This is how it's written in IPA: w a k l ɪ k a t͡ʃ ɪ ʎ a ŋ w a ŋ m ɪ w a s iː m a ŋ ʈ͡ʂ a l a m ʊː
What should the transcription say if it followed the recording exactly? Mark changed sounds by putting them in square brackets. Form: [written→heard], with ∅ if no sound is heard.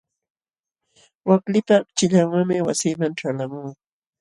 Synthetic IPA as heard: w a k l ɪ [k→p] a t͡ʃ ɪ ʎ a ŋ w a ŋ m ɪ w a s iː m a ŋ ʈ͡ʂ a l a m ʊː